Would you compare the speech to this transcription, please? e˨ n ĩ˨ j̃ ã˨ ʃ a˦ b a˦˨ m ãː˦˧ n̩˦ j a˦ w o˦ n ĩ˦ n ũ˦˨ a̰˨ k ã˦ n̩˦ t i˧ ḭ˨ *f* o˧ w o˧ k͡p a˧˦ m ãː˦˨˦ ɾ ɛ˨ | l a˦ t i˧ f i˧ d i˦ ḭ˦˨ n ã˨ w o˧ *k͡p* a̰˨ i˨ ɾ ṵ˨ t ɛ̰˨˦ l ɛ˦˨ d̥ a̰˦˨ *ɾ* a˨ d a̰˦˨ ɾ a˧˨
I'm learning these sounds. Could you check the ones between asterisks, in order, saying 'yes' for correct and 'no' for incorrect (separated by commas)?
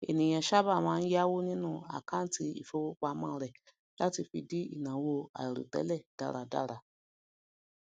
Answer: yes, no, yes